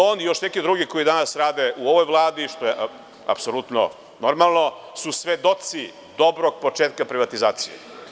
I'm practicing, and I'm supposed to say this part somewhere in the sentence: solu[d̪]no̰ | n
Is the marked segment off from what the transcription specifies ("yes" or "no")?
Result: yes